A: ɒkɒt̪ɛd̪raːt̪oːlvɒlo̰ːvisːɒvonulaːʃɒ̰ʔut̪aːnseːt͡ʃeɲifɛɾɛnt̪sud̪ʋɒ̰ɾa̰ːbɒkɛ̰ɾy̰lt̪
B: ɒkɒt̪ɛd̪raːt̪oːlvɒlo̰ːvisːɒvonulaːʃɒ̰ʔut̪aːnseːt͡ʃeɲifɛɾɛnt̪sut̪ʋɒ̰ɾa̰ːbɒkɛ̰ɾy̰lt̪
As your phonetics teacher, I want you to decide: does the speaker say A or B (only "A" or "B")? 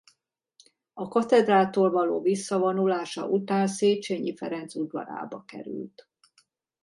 A